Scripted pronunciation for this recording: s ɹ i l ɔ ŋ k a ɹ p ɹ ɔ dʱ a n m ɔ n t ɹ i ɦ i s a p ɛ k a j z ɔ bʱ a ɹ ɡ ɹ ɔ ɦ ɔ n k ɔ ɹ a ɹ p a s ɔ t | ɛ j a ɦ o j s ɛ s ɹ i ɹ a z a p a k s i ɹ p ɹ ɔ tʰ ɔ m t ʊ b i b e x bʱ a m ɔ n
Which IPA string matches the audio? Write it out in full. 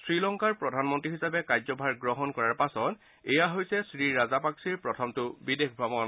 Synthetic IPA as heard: s ɹ i l ɔ ŋ k a ɹ p ɹ ɔ dʱ a n m ɔ n t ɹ i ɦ i s a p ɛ k a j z ɔ bʱ a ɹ ɡ ɹ ɔ ɦ ɔ n k ɔ ɹ a ɹ p a s ɔ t | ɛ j a ɦ o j s ɛ s ɹ i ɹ a z a p a k s i ɹ p ɹ ɔ tʰ ɔ m t ʊ b i d e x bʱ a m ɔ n